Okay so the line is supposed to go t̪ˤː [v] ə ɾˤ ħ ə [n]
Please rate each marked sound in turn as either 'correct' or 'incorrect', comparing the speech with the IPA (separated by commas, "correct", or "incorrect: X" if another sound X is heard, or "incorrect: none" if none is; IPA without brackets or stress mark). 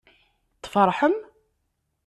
incorrect: f, incorrect: m